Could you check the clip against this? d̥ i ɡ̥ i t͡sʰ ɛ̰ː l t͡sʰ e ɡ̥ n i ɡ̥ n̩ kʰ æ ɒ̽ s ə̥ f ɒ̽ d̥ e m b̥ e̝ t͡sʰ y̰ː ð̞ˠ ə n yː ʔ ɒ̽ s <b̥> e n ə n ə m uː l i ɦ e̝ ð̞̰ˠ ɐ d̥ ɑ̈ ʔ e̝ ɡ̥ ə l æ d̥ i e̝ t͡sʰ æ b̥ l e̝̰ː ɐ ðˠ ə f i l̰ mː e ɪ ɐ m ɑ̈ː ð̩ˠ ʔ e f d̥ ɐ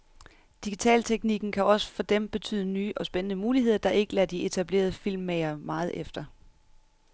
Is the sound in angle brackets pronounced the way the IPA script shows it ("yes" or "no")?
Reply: yes